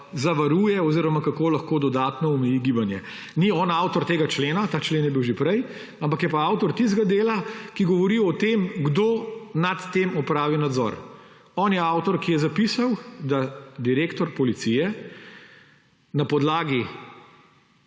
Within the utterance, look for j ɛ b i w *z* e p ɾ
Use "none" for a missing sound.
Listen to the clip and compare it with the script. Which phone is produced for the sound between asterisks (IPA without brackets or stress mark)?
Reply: ʒ